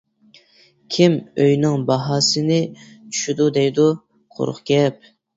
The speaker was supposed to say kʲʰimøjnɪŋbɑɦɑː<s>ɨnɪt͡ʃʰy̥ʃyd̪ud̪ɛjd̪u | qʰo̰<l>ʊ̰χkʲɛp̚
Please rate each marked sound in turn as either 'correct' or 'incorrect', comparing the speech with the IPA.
correct, incorrect: ɾ

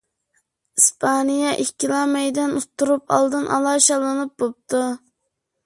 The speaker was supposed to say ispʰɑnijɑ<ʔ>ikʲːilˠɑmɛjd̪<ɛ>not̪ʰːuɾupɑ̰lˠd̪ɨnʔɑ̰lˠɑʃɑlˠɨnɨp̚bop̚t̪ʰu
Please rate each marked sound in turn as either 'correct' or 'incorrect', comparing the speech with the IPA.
correct, correct

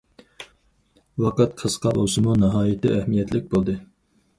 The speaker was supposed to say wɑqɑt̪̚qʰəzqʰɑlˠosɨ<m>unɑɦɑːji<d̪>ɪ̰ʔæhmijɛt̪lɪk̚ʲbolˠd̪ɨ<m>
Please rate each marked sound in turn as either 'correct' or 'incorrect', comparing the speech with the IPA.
correct, incorrect: t̪, incorrect: none

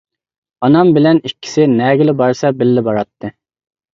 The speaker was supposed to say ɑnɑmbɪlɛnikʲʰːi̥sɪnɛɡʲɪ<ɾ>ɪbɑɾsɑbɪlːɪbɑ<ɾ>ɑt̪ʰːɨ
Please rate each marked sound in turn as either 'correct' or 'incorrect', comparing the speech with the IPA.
incorrect: l, correct

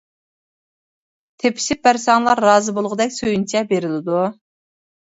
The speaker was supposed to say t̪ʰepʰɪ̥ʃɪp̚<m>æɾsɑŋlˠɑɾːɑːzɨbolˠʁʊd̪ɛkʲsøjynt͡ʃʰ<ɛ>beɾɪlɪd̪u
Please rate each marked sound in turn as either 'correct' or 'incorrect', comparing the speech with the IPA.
incorrect: b, correct

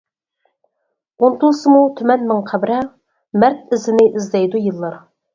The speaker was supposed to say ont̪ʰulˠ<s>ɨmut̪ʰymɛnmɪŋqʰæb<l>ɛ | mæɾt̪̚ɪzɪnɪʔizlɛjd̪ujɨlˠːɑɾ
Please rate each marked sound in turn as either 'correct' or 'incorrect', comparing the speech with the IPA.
correct, incorrect: ɾ

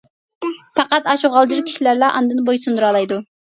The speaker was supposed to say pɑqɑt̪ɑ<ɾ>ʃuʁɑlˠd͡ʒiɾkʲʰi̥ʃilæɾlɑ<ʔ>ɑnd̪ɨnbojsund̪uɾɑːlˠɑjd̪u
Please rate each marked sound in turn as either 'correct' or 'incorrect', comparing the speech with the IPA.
incorrect: none, correct

